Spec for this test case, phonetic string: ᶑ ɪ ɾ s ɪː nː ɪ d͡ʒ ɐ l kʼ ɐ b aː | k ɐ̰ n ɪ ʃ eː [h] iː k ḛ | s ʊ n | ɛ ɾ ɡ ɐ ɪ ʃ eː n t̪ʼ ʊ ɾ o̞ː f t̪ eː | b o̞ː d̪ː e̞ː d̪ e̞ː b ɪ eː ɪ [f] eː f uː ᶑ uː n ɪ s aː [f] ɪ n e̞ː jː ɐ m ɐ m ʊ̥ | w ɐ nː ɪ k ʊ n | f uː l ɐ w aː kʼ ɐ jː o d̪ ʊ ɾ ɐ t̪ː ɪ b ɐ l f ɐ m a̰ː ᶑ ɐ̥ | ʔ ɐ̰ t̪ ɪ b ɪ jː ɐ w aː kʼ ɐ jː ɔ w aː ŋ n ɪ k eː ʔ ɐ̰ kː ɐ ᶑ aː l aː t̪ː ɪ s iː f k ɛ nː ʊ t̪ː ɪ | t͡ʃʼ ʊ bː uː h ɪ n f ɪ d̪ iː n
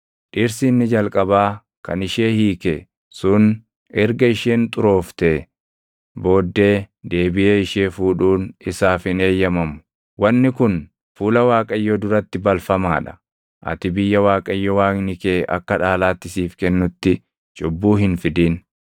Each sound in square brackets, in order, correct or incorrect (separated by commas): correct, incorrect, correct